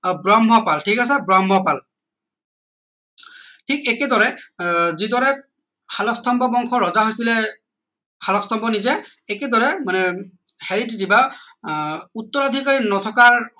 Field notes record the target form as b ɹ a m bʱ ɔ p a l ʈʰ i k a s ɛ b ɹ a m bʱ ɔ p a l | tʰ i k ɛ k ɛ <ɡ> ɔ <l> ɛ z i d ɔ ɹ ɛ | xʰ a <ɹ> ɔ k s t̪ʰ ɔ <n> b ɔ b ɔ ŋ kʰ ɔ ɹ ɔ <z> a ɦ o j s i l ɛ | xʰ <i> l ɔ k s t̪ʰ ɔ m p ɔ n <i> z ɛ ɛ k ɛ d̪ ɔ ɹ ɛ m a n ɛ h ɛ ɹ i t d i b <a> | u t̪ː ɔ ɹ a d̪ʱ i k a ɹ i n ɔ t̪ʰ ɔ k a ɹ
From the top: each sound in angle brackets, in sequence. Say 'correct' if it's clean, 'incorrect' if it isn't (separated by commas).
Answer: incorrect, incorrect, incorrect, incorrect, correct, incorrect, correct, correct